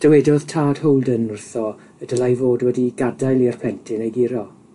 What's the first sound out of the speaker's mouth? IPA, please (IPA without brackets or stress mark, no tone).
d̥